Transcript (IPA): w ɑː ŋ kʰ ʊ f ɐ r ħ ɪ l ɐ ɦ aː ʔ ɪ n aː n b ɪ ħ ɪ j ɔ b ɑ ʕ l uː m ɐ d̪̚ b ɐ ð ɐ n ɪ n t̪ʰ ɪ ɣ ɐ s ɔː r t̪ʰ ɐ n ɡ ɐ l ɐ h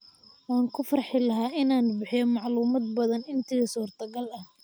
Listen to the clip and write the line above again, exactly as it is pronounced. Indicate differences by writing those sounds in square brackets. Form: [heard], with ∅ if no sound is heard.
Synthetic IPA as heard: w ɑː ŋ kʰ ʊ f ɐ r ħ ɪ l ɐ ɦ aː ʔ ɪ n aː n b ɪ ħ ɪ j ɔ [m] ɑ ʕ l uː m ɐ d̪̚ b ɐ ð ɐ n ɪ n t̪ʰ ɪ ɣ ɐ s [uː] r t̪ʰ ɐ [∅] ɡ ɐ l ɐ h